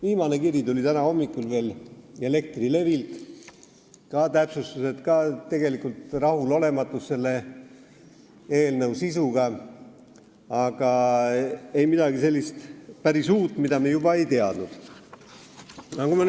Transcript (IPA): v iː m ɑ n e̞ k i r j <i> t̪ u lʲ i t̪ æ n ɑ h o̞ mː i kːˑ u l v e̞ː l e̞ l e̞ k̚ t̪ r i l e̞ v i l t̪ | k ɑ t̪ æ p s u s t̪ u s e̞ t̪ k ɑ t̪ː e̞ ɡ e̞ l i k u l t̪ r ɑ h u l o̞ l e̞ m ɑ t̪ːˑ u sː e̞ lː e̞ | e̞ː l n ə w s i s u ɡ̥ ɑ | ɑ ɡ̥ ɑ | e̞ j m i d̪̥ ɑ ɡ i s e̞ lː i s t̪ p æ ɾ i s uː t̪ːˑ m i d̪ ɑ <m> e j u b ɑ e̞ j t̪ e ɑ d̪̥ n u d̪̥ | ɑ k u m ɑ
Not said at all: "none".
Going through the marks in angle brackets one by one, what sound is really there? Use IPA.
i, m

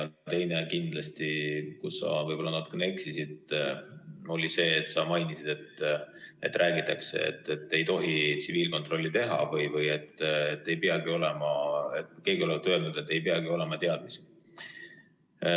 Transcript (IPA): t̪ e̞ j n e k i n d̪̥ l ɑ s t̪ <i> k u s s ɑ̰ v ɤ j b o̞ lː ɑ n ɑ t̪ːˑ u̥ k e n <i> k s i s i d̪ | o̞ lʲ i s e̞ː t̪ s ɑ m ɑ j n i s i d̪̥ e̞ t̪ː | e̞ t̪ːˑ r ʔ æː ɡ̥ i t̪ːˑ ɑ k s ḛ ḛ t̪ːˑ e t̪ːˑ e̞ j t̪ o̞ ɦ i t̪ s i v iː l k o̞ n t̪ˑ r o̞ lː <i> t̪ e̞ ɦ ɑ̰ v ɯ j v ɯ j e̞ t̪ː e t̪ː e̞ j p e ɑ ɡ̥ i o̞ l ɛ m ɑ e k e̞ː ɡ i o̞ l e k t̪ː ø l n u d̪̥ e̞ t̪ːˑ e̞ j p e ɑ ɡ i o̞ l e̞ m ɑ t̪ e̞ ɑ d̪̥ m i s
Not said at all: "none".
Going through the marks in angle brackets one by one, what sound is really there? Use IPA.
i, e, i

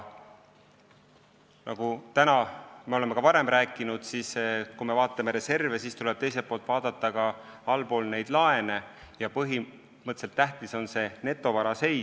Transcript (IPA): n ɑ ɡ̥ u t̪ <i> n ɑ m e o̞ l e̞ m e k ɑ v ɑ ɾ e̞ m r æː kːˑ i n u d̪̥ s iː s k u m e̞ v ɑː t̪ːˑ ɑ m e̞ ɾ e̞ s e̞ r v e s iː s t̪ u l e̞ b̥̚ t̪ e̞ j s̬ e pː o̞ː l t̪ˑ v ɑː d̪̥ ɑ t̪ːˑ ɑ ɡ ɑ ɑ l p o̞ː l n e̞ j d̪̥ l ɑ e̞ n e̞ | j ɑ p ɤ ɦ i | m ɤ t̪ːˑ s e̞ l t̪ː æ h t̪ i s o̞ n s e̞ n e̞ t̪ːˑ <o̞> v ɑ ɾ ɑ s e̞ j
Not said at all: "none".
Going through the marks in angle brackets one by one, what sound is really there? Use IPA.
æ, o̞

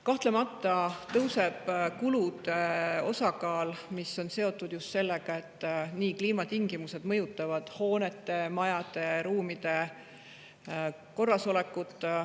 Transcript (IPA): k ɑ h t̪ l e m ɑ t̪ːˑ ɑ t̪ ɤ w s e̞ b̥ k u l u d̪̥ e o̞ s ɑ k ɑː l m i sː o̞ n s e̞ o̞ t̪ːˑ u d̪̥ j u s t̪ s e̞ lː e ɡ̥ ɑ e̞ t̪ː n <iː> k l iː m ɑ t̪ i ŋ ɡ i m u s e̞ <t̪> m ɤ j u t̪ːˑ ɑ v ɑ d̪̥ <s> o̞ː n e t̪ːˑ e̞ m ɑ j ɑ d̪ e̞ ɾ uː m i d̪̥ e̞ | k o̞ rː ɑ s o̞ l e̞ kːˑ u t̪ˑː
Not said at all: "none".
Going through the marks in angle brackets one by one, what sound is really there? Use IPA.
iː, d̪, h

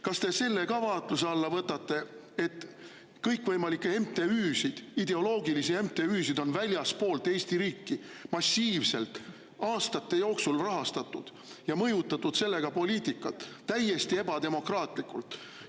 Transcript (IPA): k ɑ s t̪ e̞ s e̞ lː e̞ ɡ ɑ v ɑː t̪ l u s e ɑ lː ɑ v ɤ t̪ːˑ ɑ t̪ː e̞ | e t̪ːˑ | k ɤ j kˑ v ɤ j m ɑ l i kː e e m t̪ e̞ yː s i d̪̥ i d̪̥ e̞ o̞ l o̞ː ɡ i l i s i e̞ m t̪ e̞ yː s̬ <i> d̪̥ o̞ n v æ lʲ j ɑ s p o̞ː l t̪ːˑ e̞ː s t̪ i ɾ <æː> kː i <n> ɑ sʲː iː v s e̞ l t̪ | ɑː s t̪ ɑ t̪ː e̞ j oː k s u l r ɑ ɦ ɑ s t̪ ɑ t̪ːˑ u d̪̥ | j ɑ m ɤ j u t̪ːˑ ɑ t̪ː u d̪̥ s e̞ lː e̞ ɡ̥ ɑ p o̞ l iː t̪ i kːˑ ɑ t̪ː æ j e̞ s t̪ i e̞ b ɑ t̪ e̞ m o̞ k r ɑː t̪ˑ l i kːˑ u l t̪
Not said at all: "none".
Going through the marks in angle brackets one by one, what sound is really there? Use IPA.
i, iː, m

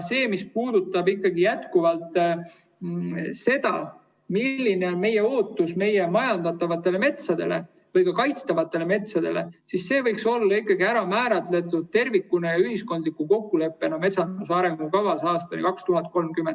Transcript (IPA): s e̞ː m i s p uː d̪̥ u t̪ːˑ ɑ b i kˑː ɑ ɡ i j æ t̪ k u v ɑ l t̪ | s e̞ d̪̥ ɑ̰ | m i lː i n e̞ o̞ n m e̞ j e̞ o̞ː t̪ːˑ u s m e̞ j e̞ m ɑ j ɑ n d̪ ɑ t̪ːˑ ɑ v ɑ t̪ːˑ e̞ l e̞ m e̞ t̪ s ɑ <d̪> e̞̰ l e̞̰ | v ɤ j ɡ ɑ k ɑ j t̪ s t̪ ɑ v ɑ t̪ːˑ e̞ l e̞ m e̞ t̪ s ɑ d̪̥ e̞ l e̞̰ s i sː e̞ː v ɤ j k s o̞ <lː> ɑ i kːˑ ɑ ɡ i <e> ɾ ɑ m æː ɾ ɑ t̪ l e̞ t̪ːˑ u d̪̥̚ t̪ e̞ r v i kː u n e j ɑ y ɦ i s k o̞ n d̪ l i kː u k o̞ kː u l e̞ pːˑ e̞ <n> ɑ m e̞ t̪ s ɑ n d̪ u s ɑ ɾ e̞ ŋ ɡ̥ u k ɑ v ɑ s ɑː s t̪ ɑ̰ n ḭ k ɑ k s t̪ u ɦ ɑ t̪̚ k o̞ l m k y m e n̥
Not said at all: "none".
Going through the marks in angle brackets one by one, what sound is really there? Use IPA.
d̪, lː, æ, n

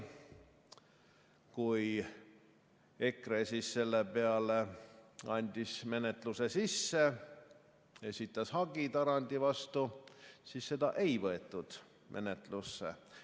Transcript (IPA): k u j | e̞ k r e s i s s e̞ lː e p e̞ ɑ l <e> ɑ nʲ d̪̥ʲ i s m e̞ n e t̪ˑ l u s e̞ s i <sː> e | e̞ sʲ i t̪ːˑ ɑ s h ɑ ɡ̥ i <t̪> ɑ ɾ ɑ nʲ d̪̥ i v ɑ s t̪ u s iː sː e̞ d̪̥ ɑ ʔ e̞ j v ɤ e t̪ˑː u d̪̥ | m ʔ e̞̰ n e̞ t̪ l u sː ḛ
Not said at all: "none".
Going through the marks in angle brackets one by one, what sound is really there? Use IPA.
e, sː, t̪

